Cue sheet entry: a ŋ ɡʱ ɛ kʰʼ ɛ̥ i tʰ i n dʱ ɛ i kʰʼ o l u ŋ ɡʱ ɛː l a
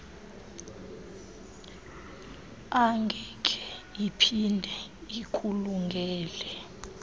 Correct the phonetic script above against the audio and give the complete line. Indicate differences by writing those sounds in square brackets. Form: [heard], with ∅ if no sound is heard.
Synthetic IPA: a ŋ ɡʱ ɛ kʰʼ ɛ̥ i [pʰ] i n dʱ ɛ i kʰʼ [u] l u ŋ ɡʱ ɛː l [ɛ]